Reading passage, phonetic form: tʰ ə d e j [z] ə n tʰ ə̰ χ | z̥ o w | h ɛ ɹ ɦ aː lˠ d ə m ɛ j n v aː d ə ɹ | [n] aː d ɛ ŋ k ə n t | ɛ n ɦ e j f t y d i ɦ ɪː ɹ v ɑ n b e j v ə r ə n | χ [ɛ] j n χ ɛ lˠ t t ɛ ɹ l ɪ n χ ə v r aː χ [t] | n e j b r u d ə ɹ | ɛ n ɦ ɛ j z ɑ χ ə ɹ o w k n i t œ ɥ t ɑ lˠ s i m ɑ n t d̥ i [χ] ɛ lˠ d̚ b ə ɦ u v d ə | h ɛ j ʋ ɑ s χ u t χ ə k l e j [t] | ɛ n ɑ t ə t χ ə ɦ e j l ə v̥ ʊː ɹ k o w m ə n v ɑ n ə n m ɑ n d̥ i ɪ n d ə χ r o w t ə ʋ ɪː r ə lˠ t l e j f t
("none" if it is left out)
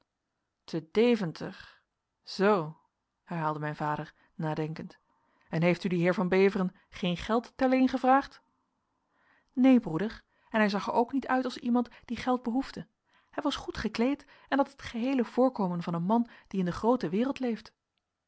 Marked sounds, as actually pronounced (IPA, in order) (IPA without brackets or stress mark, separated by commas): v, n, e, t, χ, t